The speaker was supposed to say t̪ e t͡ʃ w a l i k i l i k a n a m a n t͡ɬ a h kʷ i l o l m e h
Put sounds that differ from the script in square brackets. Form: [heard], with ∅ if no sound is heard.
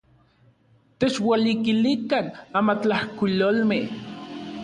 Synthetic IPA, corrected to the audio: t̪ e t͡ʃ w a l i k i l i k a n a m a [∅] t͡ɬ a h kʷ i l o l m e h